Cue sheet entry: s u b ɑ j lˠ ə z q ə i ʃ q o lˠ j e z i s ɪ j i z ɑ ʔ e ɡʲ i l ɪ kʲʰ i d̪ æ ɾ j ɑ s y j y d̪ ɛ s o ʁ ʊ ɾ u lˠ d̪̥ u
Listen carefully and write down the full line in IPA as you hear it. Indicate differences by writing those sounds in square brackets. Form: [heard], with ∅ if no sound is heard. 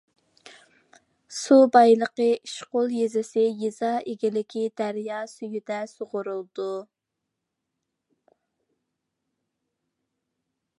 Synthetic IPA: s u b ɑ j lˠ ə [∅] q ə i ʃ q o lˠ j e z [ɪ] s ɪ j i z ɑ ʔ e ɡʲ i l ɪ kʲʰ i d̪ æ ɾ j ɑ s y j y d̪ ɛ s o ʁ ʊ ɾ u lˠ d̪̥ u